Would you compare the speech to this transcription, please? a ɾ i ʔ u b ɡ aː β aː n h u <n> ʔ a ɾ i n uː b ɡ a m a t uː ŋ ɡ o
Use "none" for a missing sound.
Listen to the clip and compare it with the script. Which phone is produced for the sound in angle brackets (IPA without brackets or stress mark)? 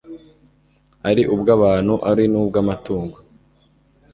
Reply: none